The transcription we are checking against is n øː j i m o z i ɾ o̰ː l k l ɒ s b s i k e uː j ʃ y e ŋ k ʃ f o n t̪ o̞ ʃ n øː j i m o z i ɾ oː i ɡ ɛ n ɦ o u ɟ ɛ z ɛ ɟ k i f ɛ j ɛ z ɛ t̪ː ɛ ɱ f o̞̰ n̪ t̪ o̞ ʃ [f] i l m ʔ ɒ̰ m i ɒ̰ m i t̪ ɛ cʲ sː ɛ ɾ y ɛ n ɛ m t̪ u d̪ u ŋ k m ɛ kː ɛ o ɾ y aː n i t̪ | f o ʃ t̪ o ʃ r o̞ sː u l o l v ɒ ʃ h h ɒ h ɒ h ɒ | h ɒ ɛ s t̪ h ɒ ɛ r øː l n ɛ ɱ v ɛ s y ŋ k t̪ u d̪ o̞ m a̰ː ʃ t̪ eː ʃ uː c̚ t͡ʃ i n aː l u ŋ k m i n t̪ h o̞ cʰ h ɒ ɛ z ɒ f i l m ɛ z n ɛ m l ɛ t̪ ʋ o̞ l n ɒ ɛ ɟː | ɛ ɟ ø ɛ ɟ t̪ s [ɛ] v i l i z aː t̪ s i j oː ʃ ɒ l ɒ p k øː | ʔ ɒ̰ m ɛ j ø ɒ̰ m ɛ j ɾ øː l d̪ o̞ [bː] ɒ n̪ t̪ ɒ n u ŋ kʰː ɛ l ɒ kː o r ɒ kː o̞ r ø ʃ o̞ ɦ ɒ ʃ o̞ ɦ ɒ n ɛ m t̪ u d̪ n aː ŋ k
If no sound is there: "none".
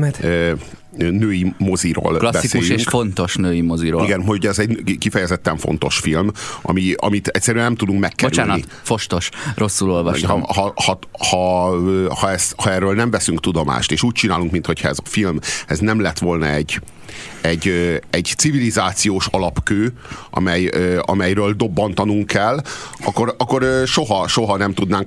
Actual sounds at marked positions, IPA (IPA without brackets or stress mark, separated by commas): f, i, bː